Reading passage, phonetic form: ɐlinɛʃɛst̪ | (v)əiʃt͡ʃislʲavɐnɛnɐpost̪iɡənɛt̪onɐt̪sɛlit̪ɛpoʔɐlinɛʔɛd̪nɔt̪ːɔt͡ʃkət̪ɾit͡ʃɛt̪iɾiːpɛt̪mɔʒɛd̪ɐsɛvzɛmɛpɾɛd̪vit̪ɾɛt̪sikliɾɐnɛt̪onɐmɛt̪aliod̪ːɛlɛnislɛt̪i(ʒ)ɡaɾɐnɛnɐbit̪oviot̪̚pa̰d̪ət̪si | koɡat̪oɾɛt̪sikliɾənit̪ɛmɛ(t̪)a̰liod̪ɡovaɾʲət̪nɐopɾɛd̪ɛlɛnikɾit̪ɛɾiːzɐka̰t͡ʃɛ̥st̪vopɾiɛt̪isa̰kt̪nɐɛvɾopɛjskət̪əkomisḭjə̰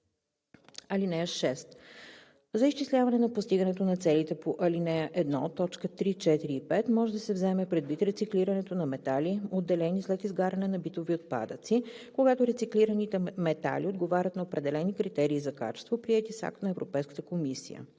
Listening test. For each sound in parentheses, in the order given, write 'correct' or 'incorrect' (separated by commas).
incorrect, incorrect, correct